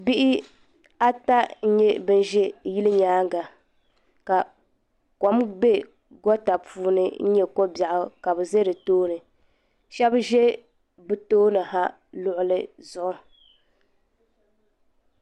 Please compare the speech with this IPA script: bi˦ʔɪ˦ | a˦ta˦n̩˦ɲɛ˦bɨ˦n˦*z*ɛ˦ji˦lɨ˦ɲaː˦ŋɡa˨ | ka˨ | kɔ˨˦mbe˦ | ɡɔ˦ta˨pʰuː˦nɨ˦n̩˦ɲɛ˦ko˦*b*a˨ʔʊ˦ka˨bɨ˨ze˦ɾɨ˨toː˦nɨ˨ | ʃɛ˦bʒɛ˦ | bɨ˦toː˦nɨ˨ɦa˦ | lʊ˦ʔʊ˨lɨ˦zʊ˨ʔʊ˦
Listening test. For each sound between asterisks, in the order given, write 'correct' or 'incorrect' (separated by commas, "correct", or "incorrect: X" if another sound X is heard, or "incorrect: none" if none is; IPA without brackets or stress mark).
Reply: incorrect: ʒ, correct